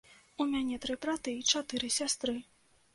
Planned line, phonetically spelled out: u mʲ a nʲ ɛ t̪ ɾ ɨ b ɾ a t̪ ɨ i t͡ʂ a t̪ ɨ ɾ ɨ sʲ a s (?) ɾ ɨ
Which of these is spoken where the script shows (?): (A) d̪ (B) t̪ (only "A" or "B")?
B